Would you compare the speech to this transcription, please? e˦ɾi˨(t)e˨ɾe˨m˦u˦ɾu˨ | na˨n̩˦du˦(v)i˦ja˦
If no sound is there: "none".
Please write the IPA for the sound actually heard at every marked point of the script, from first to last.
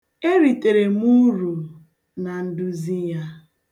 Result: t, z

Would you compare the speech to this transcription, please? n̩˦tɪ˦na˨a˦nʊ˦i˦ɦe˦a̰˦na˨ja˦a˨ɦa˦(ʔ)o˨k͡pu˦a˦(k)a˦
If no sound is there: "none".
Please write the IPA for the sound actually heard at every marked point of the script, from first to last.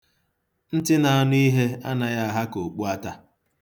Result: k, t

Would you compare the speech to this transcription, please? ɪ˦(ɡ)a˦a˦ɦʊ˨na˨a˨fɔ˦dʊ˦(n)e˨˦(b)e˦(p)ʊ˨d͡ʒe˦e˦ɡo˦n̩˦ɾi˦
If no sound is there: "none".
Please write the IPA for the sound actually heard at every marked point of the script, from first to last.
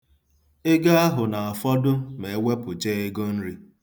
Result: ɡ, m, w, p

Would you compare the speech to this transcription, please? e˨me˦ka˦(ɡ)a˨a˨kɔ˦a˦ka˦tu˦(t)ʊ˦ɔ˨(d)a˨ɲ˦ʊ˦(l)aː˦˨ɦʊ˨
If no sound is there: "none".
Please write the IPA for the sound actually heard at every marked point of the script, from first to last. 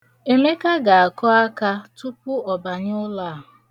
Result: ɡ, p, b, l

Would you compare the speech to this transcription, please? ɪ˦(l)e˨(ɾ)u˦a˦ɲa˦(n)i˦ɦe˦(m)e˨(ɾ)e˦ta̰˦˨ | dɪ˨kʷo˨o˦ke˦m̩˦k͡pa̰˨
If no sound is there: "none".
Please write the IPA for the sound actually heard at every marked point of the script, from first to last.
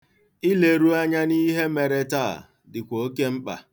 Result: l, ɾ, n, m, ɾ

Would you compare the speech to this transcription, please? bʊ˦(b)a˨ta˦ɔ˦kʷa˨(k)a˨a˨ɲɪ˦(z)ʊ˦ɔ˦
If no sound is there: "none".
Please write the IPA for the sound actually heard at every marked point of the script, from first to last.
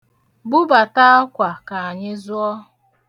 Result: b, k, z

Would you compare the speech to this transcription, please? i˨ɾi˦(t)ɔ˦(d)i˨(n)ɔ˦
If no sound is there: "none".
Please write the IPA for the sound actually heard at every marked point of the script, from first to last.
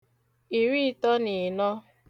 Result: t, n, n

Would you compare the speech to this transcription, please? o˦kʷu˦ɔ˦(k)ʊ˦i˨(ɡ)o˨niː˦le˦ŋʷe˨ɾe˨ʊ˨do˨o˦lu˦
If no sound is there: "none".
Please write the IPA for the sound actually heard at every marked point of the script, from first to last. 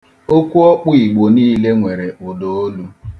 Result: k͡p, ɡ͡b

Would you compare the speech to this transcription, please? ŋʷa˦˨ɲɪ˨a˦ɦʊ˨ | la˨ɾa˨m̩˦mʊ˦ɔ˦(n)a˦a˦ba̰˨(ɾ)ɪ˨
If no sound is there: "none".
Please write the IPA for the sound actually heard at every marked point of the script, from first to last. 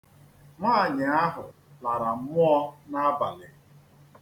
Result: n, l

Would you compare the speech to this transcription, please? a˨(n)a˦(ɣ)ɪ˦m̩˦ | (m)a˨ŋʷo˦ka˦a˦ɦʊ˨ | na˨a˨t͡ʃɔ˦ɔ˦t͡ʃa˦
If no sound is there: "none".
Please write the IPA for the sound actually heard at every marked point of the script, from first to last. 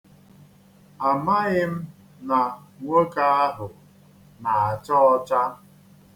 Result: m, ɣ, n

